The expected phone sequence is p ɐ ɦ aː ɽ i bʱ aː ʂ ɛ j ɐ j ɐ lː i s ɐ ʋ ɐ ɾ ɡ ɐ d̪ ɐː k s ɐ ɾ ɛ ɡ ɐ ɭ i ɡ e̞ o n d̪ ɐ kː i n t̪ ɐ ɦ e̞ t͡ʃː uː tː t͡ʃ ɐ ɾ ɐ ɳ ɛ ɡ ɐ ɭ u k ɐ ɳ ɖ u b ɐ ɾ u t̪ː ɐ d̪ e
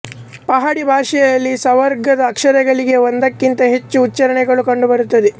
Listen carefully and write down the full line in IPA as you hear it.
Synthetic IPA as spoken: p ɐ ɦ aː ɽ i bʱ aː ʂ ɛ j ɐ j ɐ lː i s ɐ ʋ ɐ ɾ ɡ ɐ d̪ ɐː k ʂ ɐ ɾ ɛ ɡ ɐ ɭ i ɡ e̞ o n d̪ ɐ kː i n t̪ ɐ ɦ e̞ t͡ʃː uː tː t͡ʃ ɐ ɾ ɐ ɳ ɛ ɡ ɐ ɭ u k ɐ ɳ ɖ u b ɐ ɾ u t̪ː ɐ d̪ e